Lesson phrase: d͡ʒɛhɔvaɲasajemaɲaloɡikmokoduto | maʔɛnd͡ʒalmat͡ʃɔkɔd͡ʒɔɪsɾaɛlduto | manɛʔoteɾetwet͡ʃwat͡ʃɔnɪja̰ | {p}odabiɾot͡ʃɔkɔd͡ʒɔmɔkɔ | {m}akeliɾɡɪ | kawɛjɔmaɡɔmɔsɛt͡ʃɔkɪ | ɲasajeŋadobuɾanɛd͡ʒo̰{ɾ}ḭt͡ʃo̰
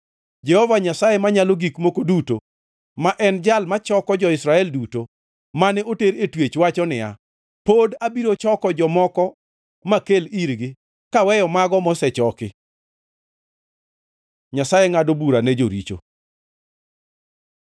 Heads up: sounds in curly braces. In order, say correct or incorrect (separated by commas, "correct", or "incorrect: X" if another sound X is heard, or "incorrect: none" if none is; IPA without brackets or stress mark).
correct, correct, correct